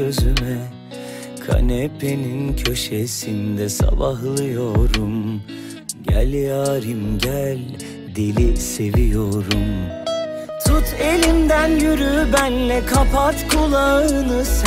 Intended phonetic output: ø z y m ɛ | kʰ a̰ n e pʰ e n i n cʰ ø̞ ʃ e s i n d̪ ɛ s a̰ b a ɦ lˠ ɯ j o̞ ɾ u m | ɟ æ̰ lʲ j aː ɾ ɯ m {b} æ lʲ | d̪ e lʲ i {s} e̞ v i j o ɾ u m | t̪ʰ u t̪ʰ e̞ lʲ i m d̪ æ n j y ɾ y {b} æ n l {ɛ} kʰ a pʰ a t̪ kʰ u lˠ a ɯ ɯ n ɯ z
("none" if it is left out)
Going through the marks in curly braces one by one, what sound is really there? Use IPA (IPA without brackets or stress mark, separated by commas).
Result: ɟ, s, b, ɛ